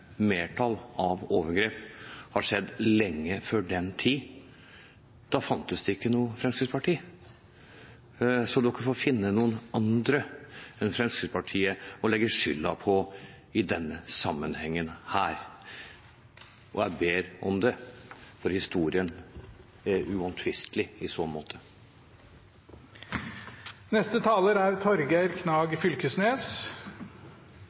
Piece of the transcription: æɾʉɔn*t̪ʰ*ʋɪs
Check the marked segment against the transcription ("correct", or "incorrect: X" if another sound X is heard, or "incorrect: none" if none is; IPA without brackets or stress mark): correct